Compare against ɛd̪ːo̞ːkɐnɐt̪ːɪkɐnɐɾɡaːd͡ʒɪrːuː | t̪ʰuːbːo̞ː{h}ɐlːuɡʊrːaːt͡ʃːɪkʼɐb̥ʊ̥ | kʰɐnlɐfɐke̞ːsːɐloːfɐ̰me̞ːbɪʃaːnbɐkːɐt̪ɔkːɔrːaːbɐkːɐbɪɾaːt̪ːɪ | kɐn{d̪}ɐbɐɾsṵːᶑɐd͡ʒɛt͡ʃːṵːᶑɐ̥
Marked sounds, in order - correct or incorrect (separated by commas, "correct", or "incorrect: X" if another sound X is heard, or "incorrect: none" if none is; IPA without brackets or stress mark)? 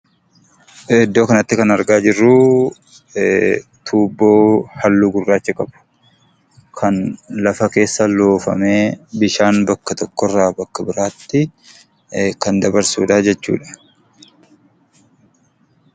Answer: correct, correct